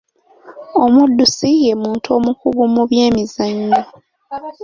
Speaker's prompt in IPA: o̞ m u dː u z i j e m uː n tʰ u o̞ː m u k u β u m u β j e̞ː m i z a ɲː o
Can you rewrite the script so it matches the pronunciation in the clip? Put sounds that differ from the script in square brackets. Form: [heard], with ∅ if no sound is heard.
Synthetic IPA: o̞ m u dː u [s] i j e m uː n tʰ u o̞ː m u k u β u m u β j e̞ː m i z a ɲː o

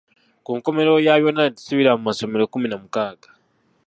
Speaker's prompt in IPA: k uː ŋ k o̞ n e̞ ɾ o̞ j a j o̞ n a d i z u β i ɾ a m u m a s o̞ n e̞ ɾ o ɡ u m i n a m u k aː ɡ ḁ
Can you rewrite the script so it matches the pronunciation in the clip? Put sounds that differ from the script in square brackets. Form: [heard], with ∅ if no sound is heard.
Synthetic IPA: k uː ŋ k o̞ [m] e̞ ɾ o̞ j a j o̞ n a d i [s] u β i ɾ a m u m a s o̞ [m] e̞ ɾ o [k] u m i n a m u k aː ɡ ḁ

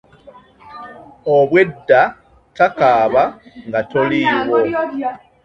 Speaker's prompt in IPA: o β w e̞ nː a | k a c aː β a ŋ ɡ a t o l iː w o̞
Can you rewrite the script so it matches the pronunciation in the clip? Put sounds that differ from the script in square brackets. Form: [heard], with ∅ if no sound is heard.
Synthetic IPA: o β w e̞ [dː] a | [t] a [k] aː β a ŋ ɡ a t o l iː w o̞

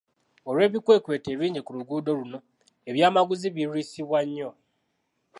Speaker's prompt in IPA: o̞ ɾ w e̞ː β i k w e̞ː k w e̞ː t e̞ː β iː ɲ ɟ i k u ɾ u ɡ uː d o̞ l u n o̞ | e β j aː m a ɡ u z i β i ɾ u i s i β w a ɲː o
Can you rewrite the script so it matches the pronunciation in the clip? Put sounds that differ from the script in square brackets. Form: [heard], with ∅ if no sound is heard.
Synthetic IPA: o̞ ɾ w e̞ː β i k w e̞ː k w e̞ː t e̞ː β iː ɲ ɟ i k u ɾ u ɡ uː d o̞ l u n o̞ | e β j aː m a ɡ u z i β i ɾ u i s i β w a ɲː o

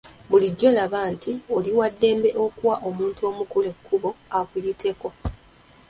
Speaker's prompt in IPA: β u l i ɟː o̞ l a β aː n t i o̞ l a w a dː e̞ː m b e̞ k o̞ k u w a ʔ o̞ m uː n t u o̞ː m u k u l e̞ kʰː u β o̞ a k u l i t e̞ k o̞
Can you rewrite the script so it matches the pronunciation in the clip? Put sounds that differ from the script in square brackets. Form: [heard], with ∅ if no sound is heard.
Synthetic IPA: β u l i ɟː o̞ l a β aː n t i o̞ l [i] w a dː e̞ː m b e̞ [ʔ] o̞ k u w a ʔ o̞ m uː n t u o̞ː m u k u l e̞ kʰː u β o̞ a k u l i t e̞ k o̞

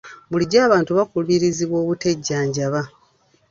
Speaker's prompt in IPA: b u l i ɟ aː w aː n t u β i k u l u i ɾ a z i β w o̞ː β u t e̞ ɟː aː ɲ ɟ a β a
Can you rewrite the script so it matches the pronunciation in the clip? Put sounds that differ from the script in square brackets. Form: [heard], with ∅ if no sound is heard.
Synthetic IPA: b u l i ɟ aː [β] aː n t u β [a] k u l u i ɾ [i] z i β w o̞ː β u t e̞ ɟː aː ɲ ɟ a β a

